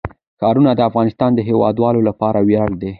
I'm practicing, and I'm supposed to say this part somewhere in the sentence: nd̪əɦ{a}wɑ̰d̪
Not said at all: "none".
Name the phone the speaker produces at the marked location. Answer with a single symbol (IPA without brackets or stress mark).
e